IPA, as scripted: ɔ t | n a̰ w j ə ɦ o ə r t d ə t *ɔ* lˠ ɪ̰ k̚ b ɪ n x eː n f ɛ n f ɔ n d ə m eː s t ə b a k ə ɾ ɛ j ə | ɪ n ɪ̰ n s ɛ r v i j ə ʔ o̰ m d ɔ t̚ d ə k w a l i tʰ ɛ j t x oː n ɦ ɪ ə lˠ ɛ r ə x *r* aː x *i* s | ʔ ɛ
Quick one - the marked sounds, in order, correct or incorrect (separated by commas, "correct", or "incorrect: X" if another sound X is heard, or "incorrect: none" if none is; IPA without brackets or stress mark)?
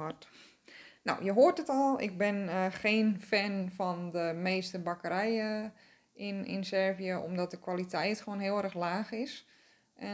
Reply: correct, incorrect: l, incorrect: ɪ